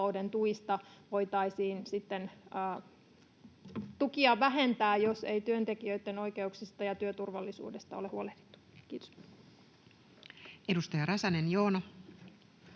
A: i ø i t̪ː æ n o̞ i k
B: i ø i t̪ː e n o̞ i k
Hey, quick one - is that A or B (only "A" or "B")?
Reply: B